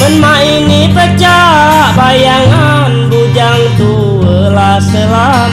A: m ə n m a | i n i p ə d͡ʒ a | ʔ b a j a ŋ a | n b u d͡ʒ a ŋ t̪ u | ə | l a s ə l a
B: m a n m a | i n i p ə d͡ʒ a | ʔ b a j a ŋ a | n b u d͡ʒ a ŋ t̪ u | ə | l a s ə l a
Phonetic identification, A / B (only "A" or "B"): A